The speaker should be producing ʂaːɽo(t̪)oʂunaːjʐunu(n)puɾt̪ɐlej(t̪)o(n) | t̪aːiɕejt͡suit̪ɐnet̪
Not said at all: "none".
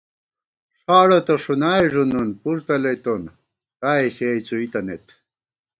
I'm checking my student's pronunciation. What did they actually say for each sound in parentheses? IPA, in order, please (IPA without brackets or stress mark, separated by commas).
t̪, n, t̪, n